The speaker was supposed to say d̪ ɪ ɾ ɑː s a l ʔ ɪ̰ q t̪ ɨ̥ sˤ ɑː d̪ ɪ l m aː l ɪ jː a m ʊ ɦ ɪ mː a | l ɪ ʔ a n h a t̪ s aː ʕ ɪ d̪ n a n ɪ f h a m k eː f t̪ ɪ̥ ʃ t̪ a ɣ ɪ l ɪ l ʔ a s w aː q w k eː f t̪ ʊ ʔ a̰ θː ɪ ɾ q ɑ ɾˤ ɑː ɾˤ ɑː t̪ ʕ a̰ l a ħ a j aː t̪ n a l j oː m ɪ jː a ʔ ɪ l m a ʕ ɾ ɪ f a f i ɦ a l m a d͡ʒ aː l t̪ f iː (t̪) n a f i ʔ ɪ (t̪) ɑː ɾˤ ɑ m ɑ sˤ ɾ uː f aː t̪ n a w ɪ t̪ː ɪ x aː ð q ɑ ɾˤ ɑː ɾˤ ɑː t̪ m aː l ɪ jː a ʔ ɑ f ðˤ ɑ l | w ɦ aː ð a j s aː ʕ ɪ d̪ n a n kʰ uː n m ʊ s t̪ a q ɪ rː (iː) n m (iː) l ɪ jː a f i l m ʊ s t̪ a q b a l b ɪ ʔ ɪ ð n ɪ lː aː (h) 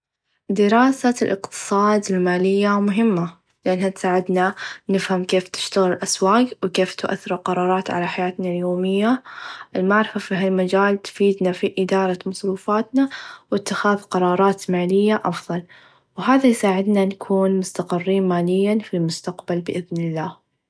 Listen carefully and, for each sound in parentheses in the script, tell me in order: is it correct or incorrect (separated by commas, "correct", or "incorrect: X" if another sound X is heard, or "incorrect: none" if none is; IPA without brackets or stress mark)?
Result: incorrect: d̪, incorrect: d̪, correct, incorrect: aː, correct